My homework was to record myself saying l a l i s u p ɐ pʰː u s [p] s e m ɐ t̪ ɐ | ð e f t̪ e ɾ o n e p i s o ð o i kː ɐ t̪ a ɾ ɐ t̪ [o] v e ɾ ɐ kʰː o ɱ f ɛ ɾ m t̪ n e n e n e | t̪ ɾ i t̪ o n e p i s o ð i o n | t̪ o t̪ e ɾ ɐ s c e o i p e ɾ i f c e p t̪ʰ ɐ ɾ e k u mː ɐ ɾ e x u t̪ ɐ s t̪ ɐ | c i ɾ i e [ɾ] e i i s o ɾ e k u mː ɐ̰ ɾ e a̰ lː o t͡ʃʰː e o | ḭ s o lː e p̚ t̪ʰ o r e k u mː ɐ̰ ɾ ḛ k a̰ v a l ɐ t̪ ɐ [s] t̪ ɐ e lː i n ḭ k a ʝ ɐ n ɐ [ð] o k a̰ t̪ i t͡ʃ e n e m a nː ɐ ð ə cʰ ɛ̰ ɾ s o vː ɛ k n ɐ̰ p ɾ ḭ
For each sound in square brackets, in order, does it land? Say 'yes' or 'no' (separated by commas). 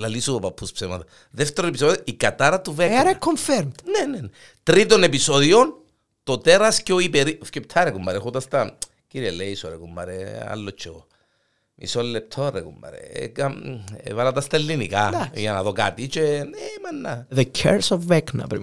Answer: yes, no, no, yes, yes